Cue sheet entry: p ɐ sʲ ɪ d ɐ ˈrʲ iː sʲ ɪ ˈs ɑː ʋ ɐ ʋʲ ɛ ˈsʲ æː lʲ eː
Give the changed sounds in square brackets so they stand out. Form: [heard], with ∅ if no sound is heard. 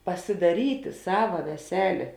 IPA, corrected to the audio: p ɐ sʲ ɪ d ɐ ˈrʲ iː [tʲ] ɪ ˈs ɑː ʋ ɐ ʋʲ ɛ ˈsʲ æː lʲ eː